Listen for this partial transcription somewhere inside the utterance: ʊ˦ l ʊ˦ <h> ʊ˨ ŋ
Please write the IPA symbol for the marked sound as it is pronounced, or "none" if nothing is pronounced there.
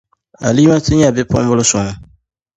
s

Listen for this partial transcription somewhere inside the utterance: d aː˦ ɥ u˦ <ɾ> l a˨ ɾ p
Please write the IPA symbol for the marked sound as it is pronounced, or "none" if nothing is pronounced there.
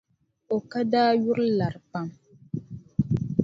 ɾ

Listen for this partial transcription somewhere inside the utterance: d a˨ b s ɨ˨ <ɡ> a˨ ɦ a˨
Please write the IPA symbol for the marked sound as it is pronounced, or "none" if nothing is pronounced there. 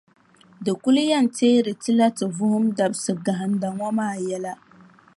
ɡ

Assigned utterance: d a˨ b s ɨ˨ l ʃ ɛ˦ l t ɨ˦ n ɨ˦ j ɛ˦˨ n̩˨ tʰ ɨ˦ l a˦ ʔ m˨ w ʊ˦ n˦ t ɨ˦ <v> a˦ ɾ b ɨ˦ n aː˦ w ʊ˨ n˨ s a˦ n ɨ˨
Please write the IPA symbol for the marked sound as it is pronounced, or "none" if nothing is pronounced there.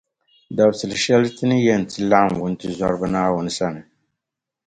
z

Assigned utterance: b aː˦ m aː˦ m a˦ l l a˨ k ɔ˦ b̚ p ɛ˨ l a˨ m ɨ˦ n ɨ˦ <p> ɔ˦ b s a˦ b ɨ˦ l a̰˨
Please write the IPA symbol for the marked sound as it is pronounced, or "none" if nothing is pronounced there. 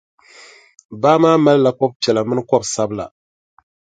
k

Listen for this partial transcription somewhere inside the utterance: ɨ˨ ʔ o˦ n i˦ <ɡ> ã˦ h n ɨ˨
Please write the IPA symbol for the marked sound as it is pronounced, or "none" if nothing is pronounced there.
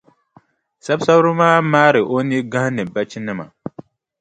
ɡ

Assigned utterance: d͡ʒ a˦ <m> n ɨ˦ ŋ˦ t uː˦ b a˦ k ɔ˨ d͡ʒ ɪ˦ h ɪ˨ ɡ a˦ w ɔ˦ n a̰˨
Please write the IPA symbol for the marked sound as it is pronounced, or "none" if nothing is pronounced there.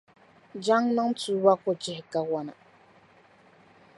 ŋ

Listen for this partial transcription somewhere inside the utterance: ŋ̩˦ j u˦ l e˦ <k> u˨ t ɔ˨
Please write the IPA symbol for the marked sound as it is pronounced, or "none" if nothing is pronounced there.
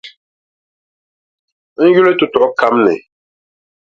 t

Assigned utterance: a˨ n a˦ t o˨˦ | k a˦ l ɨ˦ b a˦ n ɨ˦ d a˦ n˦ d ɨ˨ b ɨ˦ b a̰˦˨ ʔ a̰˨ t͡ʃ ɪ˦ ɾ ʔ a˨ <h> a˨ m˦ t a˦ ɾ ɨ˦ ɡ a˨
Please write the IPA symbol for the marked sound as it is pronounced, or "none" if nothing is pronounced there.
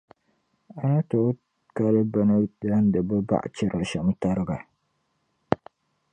ʃ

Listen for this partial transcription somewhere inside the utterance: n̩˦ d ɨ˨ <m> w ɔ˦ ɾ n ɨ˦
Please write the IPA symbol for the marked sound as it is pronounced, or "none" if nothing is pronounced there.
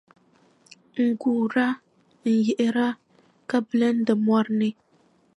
m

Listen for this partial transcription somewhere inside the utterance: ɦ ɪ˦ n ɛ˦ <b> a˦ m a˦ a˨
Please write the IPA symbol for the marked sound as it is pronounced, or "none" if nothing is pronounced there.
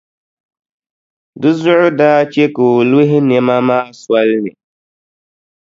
m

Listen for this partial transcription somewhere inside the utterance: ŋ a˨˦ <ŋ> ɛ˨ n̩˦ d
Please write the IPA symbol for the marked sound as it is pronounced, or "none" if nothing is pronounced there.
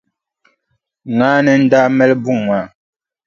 n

